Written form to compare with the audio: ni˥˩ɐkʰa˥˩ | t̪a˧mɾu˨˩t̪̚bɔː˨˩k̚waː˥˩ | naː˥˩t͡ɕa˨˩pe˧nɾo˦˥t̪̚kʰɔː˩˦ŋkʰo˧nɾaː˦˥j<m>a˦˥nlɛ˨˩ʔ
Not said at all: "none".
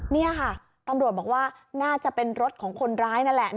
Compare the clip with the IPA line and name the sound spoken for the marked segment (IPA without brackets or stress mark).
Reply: n